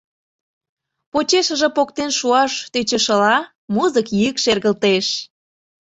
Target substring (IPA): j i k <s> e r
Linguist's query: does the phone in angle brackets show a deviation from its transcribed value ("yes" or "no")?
yes